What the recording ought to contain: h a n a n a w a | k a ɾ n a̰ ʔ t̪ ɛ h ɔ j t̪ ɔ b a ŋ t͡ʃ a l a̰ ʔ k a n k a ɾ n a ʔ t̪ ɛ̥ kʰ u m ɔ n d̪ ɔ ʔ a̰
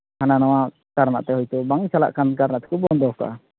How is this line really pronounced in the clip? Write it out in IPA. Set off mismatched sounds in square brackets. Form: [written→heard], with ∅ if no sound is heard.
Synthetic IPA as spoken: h a n a n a w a | k a ɾ n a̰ ʔ t̪ ɛ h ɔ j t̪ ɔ b a ŋ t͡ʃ a l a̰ ʔ k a n k a ɾ n a ʔ t̪ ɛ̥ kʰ u [m→b] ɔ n d̪ ɔ [ʔ→k] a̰